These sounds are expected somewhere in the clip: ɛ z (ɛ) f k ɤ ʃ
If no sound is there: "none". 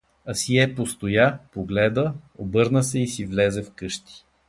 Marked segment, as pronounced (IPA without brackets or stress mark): ɛ